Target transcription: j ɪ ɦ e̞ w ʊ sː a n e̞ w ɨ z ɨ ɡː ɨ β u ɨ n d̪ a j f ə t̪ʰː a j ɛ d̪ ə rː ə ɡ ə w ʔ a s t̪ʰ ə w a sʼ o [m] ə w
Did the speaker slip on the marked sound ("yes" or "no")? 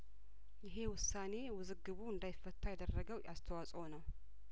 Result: yes